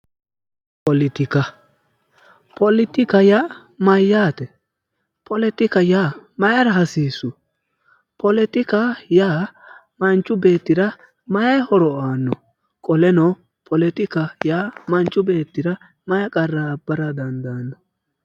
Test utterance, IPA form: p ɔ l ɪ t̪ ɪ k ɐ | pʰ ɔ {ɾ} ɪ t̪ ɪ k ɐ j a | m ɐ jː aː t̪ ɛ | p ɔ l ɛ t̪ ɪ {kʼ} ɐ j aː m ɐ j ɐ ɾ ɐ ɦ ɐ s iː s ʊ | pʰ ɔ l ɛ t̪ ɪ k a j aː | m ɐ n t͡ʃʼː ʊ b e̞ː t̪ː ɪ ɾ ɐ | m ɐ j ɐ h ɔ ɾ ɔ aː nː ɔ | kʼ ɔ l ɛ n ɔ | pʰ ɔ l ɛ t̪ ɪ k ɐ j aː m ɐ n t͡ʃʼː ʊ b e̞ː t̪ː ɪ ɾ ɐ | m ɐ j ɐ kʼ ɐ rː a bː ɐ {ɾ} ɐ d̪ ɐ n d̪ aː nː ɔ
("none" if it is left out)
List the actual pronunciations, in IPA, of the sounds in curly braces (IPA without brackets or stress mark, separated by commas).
l, k, ɾ